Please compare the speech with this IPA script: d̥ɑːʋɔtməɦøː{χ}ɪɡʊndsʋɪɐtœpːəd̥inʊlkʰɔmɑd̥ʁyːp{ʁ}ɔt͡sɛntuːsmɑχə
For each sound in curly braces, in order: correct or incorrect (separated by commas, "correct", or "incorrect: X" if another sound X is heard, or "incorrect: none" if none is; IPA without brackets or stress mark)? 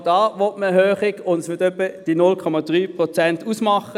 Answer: correct, correct